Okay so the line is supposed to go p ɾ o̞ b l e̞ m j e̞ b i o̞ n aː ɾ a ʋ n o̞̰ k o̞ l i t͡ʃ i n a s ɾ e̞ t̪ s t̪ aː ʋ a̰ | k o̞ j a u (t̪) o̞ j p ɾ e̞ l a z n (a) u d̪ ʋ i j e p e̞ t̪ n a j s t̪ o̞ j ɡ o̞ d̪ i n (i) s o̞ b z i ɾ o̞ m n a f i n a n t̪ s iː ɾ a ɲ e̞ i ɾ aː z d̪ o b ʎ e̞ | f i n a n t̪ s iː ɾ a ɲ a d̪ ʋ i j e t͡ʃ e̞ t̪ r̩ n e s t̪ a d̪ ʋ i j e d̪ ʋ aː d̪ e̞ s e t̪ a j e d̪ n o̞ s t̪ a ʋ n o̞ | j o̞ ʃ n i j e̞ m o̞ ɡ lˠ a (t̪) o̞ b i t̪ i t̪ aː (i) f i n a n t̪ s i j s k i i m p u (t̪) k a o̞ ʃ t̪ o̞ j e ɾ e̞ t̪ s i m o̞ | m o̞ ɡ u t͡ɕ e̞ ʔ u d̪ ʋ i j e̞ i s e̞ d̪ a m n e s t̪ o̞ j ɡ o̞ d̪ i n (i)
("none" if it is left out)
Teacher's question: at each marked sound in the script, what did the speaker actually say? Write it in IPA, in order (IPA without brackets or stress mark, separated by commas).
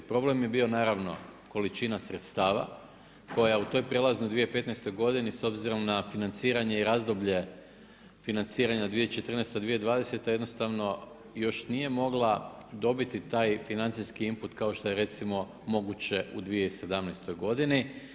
t̪, i, i, d̪, j, t̪, i